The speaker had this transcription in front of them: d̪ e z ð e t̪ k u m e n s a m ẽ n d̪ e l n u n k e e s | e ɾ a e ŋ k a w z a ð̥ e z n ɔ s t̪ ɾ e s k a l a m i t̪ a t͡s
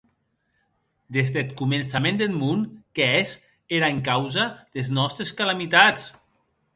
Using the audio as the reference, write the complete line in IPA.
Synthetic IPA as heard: d̪ e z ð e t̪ k u m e n s a m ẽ n d̪ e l m u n k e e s | e ɾ a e ŋ k a w z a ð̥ e z n ɔ s t̪ ɾ e s k a l a m i t̪ a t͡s